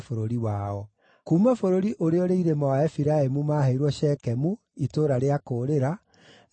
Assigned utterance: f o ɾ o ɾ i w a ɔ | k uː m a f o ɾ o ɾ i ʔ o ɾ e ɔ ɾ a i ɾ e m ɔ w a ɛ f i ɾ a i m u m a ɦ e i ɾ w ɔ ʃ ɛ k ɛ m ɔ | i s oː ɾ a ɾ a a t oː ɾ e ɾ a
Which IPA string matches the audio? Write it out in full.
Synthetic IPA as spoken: f o ɾ o ɾ i w a ɔ | k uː m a f o ɾ o ɾ i ʔ o ɾ e ɔ ɾ e i ɾ e m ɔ w a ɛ f i ɾ a e m u m a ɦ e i ɾ w ɔ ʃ ɛ k ɛ m u | i t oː ɾ a ɾ e a k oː ɾ e ɾ a